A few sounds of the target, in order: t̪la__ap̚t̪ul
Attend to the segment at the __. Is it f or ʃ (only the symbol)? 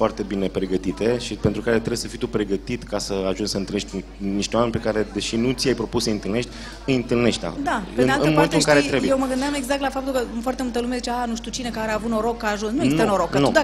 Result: f